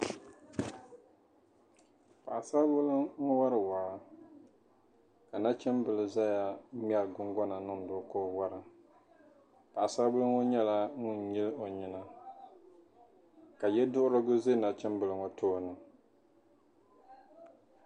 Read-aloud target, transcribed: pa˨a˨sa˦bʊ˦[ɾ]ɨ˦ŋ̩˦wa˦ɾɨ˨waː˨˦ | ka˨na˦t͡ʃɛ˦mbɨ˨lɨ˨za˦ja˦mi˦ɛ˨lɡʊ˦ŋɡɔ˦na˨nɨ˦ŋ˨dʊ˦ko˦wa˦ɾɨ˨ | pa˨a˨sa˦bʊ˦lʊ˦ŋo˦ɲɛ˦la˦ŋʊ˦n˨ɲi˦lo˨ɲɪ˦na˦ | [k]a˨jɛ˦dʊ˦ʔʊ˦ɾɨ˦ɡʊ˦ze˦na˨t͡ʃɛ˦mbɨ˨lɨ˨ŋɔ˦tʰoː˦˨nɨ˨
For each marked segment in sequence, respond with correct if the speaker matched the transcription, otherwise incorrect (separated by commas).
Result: incorrect, correct